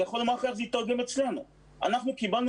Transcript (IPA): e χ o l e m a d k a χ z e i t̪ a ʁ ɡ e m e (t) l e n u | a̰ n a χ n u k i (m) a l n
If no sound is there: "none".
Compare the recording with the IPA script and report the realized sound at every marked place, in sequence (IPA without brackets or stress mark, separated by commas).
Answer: t͡s, b